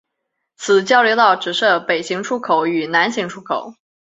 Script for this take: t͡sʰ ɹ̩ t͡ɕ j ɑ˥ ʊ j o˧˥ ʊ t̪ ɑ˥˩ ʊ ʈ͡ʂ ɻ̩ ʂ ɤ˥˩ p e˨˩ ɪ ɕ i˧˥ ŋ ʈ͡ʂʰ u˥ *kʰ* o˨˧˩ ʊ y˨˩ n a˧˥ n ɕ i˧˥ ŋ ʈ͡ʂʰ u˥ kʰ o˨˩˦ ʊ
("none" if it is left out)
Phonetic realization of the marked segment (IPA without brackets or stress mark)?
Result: kʰ